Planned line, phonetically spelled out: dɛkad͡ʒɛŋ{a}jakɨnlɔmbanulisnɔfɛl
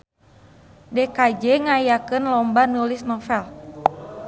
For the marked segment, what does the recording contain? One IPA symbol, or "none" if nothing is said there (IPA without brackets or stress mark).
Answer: a